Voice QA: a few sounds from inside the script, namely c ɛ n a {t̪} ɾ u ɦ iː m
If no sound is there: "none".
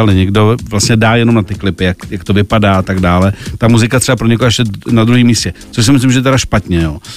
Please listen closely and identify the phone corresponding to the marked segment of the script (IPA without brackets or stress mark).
d̪